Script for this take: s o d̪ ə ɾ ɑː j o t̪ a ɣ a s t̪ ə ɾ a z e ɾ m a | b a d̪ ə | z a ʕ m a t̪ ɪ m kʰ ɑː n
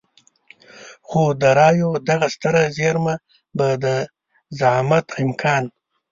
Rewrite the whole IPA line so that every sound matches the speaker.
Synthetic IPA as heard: x o d̪ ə ɾ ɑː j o d̪ a ɣ a s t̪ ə ɾ a z e ɾ m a | b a d̪ ə | z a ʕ m a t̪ ɪ m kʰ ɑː n